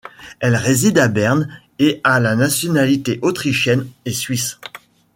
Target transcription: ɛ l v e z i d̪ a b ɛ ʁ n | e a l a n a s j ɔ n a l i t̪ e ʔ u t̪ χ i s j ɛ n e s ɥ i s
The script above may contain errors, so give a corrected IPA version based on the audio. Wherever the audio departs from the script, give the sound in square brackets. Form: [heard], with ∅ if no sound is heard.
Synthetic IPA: ɛ l [ʁ] e z i d̪ a b ɛ ʁ n | e a l a n a s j ɔ n a l i t̪ e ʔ [o] t̪ χ i [ʃ] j ɛ n e s ɥ i s